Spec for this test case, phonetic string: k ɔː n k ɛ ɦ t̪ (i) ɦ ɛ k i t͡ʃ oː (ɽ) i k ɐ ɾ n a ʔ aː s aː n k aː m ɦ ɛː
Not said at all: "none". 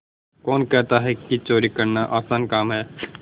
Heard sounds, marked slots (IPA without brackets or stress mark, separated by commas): a, ɾ